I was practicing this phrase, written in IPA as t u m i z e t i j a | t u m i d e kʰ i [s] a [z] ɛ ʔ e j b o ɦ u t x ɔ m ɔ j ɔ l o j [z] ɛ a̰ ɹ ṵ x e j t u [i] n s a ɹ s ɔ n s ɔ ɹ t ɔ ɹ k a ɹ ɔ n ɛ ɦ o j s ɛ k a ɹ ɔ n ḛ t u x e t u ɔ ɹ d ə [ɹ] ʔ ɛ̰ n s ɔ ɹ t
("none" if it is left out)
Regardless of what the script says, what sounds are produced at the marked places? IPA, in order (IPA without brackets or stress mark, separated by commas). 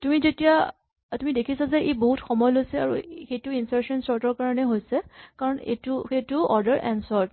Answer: s, z, s, i, ɹ